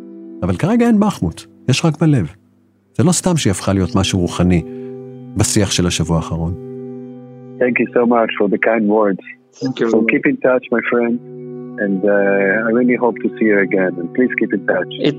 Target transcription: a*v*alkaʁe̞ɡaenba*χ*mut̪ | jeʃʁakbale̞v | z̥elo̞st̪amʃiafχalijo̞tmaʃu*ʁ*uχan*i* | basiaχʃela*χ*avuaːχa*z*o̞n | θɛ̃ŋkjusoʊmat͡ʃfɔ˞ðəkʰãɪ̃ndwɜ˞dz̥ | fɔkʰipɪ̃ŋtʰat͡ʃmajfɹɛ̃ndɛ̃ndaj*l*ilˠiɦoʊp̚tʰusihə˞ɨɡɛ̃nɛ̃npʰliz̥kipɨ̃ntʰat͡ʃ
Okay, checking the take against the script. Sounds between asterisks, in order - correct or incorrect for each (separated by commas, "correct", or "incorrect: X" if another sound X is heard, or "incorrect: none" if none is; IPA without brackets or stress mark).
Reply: correct, correct, correct, correct, incorrect: ʃ, incorrect: ʁ, incorrect: ɹ